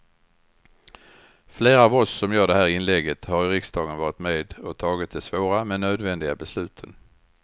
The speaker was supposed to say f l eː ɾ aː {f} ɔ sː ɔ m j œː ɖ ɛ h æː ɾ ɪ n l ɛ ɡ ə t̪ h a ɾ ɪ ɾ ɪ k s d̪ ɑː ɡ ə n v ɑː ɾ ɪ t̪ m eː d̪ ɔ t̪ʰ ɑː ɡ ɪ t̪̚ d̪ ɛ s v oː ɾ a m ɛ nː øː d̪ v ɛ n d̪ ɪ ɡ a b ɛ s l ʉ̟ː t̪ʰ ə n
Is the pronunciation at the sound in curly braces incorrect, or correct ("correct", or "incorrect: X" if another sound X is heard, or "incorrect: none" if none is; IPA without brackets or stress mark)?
incorrect: v